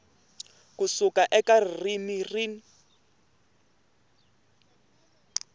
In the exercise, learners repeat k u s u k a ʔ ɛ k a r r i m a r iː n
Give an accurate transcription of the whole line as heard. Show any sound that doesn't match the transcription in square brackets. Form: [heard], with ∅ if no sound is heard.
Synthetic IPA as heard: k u s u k a ʔ ɛ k a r r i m [i] r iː n